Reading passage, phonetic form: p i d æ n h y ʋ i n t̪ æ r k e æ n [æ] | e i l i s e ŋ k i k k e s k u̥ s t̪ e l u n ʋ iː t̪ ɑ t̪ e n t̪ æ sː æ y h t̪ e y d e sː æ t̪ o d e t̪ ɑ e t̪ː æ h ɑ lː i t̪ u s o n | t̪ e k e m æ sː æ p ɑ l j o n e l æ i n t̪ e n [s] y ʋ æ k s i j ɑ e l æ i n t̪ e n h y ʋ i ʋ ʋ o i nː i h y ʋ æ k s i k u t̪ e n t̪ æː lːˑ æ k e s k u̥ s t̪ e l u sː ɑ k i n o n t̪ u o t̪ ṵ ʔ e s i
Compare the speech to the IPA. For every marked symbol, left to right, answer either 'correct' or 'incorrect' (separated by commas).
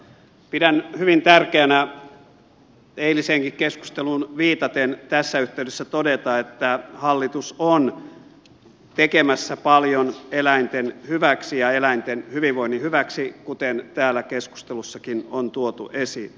correct, incorrect